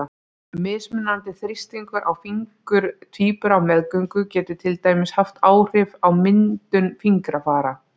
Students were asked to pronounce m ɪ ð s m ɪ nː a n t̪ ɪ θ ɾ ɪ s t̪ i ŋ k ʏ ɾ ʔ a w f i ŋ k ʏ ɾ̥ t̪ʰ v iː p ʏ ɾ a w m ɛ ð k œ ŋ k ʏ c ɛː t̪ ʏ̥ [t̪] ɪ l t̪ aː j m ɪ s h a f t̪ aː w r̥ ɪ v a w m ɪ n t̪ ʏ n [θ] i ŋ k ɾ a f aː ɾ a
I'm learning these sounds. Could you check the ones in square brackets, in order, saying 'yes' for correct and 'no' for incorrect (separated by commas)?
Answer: no, no